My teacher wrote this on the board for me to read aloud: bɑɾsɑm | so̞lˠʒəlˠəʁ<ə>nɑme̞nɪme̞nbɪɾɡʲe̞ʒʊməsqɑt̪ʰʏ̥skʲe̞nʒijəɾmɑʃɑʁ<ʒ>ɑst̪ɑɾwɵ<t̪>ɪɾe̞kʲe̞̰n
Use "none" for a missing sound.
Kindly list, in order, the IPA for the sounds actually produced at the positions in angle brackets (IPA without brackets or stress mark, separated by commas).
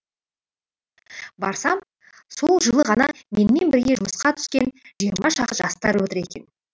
ɑ, ʒ, t̪